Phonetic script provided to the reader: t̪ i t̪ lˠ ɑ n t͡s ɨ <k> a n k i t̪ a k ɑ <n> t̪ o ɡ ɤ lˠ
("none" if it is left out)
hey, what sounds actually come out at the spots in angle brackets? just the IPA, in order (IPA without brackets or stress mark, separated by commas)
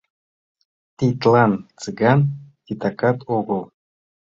ɡ, none